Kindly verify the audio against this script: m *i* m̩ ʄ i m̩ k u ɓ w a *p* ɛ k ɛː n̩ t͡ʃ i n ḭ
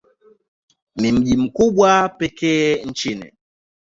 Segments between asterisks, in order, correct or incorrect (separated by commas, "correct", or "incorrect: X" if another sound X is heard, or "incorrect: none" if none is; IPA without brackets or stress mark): correct, correct